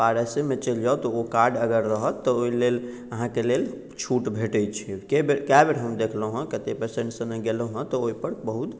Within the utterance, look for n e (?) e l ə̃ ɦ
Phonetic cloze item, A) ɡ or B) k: A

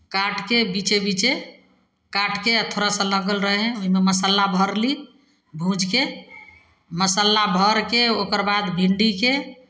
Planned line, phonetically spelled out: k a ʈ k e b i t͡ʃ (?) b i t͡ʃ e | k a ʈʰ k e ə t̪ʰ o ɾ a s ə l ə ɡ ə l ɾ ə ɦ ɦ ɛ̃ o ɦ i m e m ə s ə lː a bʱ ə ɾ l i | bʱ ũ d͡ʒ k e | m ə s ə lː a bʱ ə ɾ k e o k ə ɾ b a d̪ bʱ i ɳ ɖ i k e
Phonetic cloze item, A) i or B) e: B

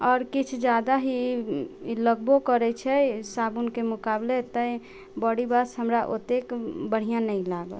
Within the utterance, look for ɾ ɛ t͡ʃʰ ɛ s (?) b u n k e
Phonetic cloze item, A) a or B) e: A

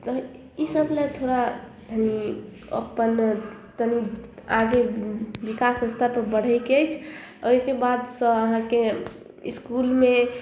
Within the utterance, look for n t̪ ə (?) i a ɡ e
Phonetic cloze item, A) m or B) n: B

